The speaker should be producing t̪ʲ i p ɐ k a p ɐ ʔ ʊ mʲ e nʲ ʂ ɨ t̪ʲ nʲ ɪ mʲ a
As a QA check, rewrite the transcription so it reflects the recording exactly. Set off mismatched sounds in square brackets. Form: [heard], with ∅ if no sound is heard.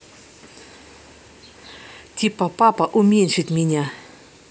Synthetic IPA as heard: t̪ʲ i p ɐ [p] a p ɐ ʔ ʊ mʲ e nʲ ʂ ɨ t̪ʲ [mʲ] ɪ [nʲ] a